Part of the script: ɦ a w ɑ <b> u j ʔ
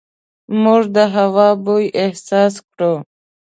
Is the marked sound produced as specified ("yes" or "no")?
yes